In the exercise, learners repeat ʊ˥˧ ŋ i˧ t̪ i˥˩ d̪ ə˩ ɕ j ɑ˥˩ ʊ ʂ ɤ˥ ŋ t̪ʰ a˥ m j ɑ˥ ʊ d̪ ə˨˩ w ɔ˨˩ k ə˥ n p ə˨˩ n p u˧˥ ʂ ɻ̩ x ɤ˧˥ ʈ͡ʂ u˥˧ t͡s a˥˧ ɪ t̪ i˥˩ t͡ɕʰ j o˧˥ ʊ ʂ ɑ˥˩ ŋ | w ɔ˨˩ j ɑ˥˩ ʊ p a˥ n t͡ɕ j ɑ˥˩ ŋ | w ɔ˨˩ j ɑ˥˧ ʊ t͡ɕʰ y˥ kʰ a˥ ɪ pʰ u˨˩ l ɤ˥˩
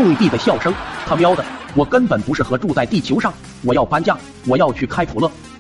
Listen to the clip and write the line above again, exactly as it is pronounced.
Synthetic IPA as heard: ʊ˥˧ ŋ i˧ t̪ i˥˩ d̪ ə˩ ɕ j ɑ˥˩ ʊ ʂ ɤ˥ ŋ t̪ʰ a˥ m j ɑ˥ ʊ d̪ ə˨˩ w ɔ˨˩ k ə˥ n p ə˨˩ n p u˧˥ ʂ ɻ̩ x ɤ˧˥ ʈ͡ʂ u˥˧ t͡s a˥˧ ɪ t̪ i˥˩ t͡ɕʰ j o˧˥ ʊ ʂ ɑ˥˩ ŋ | w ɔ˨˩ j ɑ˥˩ ʊ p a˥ n t͡ɕ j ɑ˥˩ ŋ | w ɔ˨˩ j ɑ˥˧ ʊ t͡ɕʰ y˥˩ kʰ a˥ ɪ pʰ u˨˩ l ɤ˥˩